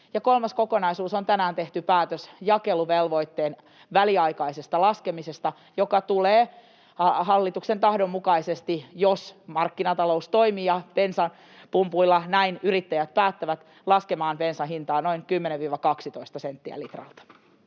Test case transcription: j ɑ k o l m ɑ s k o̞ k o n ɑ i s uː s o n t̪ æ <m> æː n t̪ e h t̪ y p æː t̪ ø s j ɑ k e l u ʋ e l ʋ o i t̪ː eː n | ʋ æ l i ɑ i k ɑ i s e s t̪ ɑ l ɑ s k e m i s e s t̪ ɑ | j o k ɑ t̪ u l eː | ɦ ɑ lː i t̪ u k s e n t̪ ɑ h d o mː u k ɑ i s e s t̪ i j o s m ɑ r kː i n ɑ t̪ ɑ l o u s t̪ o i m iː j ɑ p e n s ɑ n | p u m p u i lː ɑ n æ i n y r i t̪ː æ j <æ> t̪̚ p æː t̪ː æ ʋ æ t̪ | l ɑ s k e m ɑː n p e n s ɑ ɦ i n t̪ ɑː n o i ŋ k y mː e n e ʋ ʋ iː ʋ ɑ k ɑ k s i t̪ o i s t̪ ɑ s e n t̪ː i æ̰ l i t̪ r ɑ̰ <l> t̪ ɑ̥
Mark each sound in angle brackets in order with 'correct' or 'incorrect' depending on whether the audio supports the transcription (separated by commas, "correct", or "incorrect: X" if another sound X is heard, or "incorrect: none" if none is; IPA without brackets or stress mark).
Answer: incorrect: n, correct, correct